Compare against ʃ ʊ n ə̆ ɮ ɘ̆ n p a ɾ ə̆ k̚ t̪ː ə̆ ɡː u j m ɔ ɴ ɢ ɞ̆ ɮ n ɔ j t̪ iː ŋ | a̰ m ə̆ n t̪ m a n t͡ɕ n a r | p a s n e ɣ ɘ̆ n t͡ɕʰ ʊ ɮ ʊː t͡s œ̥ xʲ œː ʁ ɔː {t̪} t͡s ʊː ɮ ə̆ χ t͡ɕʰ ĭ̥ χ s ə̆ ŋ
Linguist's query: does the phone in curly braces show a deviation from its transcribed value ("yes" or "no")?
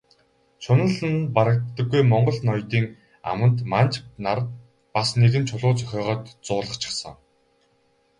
no